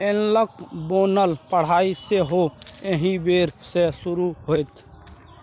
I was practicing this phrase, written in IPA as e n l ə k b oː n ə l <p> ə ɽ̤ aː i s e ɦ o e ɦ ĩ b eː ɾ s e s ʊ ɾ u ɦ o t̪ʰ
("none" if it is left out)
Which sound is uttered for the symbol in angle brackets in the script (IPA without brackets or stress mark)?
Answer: p